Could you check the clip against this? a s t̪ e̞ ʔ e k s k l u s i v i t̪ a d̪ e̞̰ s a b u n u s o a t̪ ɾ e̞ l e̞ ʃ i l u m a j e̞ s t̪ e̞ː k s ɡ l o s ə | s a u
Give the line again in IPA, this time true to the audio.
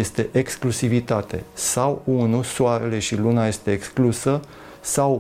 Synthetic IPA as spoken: e s t̪ e̞ ʔ e k s k l u s i v i t̪ a t̪ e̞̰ s a w u n u s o a ɾ e̞ l e̞ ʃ i l u n a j e̞ s t̪ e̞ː k s k l u s ə | s a w